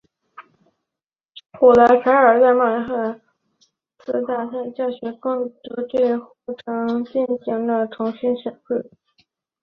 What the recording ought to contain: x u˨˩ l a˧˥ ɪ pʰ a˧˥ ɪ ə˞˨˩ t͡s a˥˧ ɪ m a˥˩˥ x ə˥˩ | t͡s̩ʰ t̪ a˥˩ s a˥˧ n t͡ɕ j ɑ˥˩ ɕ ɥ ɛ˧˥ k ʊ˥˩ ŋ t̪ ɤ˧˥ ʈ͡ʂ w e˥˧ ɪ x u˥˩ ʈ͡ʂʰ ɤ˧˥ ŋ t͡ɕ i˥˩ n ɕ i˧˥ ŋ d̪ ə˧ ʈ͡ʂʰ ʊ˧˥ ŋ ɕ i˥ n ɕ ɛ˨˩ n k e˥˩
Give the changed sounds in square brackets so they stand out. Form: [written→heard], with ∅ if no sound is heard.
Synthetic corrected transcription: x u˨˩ l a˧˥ ɪ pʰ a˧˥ ɪ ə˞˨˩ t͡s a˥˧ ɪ m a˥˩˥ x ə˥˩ | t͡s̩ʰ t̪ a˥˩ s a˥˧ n t͡ɕ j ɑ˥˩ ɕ ɥ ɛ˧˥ k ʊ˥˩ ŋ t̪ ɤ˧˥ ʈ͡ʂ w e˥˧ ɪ x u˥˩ ʈ͡ʂʰ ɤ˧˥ ŋ t͡ɕ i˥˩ n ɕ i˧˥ ŋ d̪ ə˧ ʈ͡ʂʰ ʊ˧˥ ŋ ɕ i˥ n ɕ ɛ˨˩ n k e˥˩

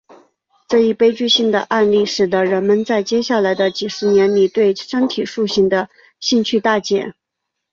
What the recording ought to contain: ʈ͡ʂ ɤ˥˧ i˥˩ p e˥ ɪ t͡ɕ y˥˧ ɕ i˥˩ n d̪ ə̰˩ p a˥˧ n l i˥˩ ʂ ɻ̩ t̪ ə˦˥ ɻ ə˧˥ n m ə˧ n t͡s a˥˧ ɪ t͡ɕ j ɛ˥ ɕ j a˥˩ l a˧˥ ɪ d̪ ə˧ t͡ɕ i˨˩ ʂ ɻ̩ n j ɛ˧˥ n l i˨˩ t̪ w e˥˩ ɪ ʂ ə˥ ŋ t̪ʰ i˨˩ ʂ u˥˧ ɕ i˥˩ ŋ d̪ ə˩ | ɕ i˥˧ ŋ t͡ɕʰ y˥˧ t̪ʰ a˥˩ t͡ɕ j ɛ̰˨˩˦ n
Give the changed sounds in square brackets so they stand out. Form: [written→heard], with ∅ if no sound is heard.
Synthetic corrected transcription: ʈ͡ʂ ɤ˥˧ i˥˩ p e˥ ɪ t͡ɕ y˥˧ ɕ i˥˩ [n→ŋ] d̪ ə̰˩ [p→ʔ] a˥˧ n l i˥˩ ʂ ɻ̩ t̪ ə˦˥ ɻ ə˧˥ n m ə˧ n t͡s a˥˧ ɪ t͡ɕ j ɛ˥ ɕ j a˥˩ l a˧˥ ɪ d̪ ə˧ t͡ɕ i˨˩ ʂ ɻ̩ n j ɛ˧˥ n l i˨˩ t̪ w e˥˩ ɪ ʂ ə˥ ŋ t̪ʰ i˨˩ ʂ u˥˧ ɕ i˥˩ ŋ d̪ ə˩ | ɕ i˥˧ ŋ t͡ɕʰ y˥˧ [t̪ʰ→t̪] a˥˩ t͡ɕ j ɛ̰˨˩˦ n

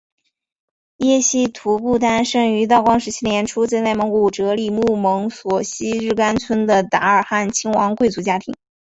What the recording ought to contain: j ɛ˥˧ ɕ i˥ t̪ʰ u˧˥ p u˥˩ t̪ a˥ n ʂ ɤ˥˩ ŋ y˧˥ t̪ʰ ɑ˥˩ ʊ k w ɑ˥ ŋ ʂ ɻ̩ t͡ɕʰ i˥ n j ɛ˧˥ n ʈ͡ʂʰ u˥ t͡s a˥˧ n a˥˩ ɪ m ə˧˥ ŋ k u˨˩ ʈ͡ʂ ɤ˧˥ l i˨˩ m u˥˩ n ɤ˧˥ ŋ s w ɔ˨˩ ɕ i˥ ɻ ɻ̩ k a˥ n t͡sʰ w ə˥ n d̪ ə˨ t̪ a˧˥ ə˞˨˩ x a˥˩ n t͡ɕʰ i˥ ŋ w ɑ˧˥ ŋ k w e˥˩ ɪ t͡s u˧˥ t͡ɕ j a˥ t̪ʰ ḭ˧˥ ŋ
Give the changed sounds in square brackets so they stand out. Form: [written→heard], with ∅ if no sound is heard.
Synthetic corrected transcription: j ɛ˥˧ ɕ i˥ t̪ʰ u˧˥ p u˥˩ t̪ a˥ n ʂ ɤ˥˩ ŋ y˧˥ [t̪ʰ→t̪] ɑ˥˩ ʊ k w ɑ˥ ŋ ʂ ɻ̩ t͡ɕʰ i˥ n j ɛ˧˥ n ʈ͡ʂʰ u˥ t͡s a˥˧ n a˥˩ ɪ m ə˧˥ ŋ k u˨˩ ʈ͡ʂ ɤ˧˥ l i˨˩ m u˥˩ [n→m] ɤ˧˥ ŋ s w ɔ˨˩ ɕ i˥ ɻ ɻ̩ k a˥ n t͡sʰ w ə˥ n d̪ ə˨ t̪ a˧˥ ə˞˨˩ x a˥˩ n t͡ɕʰ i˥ ŋ w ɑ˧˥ ŋ k w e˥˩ ɪ t͡s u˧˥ t͡ɕ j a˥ t̪ʰ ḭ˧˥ ŋ

